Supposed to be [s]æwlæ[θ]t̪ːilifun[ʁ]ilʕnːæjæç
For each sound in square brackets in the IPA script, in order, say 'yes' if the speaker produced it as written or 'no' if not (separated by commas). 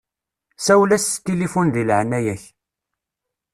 yes, no, no